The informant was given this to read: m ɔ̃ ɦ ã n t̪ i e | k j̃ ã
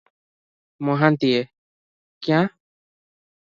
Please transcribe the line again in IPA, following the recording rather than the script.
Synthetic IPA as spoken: m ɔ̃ ɦ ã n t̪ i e | k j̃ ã